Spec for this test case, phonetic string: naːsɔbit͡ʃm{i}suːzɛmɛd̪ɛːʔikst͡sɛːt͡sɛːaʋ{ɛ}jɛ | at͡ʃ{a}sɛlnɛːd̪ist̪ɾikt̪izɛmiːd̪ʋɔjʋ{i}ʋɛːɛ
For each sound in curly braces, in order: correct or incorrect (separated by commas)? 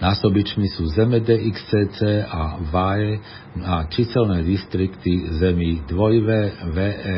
correct, incorrect, incorrect, incorrect